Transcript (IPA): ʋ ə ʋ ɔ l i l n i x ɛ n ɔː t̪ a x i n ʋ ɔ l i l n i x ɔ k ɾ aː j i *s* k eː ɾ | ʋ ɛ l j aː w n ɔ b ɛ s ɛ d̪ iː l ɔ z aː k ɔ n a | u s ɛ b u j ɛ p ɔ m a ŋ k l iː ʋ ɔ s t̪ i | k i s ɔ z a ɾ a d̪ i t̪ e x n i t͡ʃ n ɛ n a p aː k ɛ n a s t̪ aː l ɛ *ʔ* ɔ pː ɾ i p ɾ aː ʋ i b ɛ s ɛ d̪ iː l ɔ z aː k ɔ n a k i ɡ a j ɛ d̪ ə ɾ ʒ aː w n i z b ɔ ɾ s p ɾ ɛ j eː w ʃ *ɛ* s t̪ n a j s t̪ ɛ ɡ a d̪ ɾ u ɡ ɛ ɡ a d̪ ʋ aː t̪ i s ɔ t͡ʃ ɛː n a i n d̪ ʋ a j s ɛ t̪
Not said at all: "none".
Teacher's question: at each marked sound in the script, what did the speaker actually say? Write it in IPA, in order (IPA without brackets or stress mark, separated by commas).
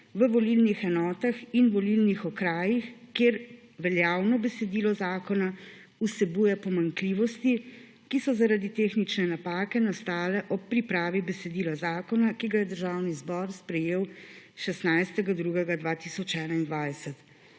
x, ʔ, ɛ